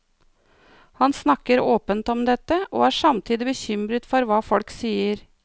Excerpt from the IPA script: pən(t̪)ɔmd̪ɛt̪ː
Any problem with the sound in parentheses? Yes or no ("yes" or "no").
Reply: no